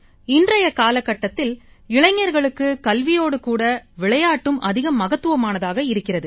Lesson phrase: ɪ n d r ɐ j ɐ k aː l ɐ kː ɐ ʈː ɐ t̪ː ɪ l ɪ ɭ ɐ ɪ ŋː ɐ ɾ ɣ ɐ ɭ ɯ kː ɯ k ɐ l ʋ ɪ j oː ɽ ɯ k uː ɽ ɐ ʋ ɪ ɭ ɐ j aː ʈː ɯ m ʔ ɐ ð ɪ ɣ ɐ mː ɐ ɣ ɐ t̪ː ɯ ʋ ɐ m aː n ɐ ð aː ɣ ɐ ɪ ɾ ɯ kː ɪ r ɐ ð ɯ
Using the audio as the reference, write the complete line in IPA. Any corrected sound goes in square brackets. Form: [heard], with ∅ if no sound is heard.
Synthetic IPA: ɪ n d r ɐ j ɐ k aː l ɐ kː ɐ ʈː ɐ t̪ː ɪ l ɪ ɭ ɐ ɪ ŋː ɐ ɾ ɣ ɐ ɭ ɯ kː ɯ k ɐ l ʋ ɪ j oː ɽ ɯ k uː ɽ ɐ ʋ ɪ ɭ ɐ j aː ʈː ɯ m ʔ ɐ ð ɪ ɣ ɐ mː ɐ ɣ ɐ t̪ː ɯ ʋ ɐ m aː n ɐ ð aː ɣ ɐ ɪ ɾ ɯ kː ɪ r ɐ ð ɯ

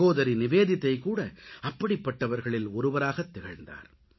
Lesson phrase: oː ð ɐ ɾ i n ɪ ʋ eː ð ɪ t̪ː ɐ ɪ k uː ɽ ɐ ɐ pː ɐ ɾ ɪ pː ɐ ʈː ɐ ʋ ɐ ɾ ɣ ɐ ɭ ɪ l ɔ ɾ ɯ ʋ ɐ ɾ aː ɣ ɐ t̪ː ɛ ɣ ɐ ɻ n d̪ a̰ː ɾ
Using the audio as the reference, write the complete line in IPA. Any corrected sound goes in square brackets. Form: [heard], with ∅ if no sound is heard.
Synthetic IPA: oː ð ɐ ɾ i n ɪ ʋ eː ð ɪ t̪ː ɐ ɪ k uː ɽ ɐ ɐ pː ɐ [ɽ] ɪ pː ɐ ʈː ɐ ʋ ɐ ɾ ɣ ɐ ɭ ɪ l ɔ ɾ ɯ ʋ ɐ ɾ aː ɣ ɐ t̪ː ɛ ɣ ɐ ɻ n d̪ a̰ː ɾ

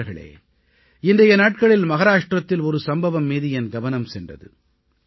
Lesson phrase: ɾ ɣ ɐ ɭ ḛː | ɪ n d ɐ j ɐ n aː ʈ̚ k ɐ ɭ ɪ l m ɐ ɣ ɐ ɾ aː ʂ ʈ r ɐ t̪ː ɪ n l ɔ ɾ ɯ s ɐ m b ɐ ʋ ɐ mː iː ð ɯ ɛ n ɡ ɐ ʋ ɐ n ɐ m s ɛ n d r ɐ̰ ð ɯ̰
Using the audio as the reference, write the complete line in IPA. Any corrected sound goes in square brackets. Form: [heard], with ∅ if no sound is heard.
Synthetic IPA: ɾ ɣ ɐ ɭ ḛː | ɪ n d ɐ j ɐ n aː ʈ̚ k ɐ ɭ ɪ l m ɐ ɣ ɐ ɾ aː ʂ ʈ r ɐ t̪ː ɪ [∅] l ɔ ɾ ɯ s ɐ m b ɐ ʋ ɐ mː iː ð ɯ ɛ n ɡ ɐ ʋ ɐ n ɐ m s ɛ n d r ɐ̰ ð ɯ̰

